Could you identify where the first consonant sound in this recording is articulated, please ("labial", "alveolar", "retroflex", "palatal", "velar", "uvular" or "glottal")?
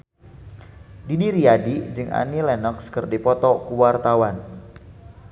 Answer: alveolar